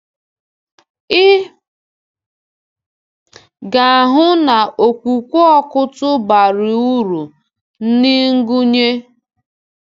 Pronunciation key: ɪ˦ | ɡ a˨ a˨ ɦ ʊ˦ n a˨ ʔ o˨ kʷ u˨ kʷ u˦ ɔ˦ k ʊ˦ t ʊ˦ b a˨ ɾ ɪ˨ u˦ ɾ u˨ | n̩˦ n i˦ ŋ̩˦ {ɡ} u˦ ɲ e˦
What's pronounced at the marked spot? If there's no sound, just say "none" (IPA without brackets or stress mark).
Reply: ɡ